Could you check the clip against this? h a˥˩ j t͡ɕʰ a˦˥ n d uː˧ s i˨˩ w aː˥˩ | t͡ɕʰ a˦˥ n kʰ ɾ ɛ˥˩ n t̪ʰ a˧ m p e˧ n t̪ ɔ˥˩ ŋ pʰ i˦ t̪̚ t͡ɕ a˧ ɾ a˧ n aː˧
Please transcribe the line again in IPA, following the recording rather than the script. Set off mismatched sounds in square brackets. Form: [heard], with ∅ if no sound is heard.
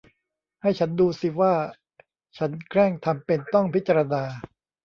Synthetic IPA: h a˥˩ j t͡ɕʰ a˦˥ n d uː˧ s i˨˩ w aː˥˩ | t͡ɕʰ a˦˥ n kʰ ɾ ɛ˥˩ [ŋ] t̪ʰ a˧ m p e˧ n t̪ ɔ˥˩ ŋ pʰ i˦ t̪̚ t͡ɕ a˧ ɾ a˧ n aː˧

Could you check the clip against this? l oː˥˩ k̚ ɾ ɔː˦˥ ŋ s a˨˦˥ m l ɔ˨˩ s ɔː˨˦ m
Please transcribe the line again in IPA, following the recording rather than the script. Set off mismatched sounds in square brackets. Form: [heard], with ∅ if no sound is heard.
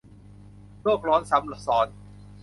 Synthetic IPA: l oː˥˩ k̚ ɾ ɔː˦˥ [n] s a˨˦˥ m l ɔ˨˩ s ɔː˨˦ [n]

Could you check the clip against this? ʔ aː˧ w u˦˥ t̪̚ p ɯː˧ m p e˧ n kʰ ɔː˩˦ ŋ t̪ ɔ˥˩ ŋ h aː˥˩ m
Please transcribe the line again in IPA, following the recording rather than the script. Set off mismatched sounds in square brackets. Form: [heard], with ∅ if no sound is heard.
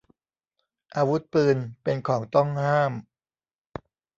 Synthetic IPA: ʔ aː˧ w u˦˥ t̪̚ p ɯː˧ [n] p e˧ n kʰ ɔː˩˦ ŋ t̪ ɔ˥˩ ŋ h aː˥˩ m

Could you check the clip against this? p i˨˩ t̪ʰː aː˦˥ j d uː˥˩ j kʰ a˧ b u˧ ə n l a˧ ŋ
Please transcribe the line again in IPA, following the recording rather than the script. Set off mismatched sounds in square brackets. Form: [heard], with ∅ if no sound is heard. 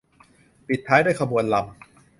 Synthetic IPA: p i˨˩ t̪ʰː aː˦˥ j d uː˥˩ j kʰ a˧ b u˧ ə n l a˧ [m]

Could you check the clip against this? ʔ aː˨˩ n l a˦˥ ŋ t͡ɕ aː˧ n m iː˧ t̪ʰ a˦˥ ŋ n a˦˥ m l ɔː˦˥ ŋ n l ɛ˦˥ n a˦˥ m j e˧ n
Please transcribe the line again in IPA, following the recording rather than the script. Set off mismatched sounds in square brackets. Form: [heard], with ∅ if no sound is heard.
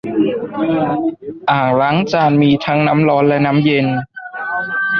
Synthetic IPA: ʔ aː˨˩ [ŋ] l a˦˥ ŋ t͡ɕ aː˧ n m iː˧ t̪ʰ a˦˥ ŋ n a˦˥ m l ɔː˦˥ [∅] n l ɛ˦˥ n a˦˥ m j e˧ n

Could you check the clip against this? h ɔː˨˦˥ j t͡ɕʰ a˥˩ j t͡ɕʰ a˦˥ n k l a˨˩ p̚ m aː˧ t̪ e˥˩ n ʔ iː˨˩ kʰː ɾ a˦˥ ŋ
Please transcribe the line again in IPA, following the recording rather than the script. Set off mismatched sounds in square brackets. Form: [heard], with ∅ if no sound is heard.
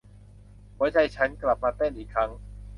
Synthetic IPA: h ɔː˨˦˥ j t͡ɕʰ [a˧] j t͡ɕʰ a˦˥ n k l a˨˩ p̚ m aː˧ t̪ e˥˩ n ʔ iː˨˩ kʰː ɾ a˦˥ ŋ

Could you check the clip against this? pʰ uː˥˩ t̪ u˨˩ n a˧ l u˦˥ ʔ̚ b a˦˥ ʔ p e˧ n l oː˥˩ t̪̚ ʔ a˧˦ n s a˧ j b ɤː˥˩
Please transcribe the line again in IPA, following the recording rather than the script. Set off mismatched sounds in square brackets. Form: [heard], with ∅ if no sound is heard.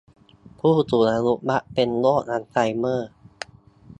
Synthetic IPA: pʰ uː˥˩ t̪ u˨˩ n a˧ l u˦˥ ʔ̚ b a˦˥ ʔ p e˧ n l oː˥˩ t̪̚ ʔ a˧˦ n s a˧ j [m] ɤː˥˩

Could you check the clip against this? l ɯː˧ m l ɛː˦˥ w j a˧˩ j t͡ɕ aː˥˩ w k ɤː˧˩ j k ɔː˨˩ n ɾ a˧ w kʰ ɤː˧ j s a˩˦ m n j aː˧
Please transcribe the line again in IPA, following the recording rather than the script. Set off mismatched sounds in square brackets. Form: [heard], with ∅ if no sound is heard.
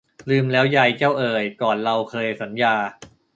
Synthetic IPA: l ɯː˧ m l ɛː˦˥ w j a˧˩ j t͡ɕ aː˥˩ w [ʔ] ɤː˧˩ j k ɔː˨˩ n ɾ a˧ w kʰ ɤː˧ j s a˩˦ [∅] n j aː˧

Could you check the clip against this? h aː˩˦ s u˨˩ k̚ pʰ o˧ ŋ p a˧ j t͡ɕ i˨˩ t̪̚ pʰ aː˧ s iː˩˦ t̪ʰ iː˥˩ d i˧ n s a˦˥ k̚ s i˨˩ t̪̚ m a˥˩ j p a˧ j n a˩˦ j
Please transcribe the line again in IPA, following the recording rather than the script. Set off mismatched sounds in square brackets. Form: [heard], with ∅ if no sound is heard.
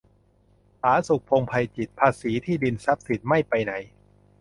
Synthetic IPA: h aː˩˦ s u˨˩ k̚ pʰ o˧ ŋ [pʰ] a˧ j t͡ɕ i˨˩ t̪̚ pʰ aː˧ s iː˩˦ t̪ʰ iː˥˩ d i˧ n s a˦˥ [p̚] s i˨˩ t̪̚ m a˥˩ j p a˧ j n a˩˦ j

